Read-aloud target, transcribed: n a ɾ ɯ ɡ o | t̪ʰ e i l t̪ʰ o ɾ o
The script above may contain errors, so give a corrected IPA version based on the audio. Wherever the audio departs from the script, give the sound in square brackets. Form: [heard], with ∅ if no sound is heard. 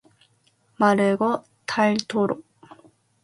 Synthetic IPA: [m] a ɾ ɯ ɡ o | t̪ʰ [a] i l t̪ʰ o ɾ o